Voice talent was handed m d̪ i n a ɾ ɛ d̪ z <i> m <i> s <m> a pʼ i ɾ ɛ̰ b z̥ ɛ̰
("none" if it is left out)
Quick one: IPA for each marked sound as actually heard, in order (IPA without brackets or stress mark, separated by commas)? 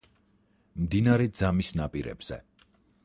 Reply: a, i, n